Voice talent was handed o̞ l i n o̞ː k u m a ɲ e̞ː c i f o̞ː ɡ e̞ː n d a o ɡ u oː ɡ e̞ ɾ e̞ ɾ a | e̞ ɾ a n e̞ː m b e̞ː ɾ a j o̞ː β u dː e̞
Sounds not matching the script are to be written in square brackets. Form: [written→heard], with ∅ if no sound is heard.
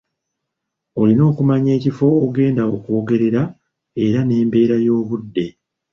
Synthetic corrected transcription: o̞ l i n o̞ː k u m a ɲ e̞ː c i f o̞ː ɡ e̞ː n d a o [ɡ→k] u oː ɡ e̞ ɾ e̞ ɾ a | e̞ ɾ a n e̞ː m b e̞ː ɾ a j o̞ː β u dː e̞